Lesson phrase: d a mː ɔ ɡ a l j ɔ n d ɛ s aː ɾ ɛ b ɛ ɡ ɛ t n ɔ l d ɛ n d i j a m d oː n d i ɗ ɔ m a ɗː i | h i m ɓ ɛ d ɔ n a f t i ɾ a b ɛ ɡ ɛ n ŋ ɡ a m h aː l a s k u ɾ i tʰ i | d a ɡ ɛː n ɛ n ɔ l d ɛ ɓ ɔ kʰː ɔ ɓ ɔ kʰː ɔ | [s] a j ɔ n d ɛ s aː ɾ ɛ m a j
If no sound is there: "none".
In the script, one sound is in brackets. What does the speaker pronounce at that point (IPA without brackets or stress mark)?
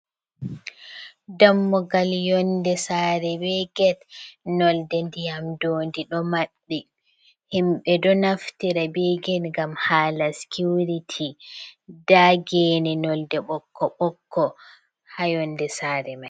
h